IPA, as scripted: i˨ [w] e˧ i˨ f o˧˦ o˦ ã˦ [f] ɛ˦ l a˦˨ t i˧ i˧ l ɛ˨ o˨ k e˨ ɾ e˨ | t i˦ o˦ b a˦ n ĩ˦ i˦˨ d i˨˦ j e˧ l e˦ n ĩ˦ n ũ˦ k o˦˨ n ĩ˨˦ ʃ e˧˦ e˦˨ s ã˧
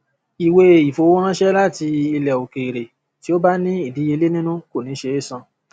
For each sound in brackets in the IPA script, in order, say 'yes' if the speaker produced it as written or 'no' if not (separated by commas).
yes, no